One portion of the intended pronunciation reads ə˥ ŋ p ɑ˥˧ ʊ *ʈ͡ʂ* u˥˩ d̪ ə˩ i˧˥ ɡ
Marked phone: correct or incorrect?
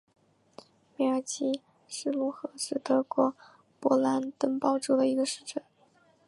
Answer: correct